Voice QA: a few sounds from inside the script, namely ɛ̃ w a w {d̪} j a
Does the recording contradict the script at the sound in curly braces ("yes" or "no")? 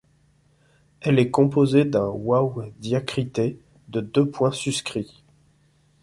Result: no